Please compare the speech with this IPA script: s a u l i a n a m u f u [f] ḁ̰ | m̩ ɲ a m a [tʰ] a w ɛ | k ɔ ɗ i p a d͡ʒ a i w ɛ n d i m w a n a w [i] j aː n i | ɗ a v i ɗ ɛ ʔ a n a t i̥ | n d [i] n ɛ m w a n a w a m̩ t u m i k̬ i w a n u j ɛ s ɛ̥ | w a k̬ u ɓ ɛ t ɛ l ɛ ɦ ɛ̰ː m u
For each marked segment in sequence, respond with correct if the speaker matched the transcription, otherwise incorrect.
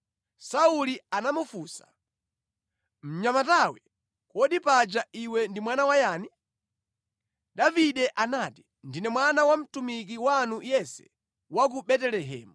incorrect, incorrect, incorrect, correct

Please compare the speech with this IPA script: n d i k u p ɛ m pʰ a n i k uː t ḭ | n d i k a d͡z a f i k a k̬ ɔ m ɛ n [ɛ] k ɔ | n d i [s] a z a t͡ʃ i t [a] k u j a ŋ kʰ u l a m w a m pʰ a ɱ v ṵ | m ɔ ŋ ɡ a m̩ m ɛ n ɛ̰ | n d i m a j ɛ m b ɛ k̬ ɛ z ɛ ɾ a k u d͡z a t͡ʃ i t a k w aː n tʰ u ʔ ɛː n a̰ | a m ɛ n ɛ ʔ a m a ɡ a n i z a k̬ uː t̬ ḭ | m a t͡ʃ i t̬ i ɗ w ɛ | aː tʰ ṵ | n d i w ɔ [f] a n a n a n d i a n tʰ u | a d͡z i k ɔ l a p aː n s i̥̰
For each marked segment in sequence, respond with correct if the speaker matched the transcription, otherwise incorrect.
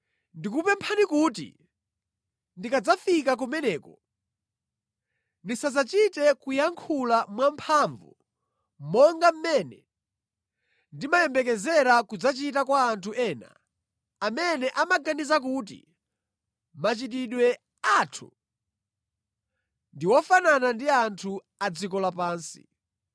incorrect, correct, incorrect, correct

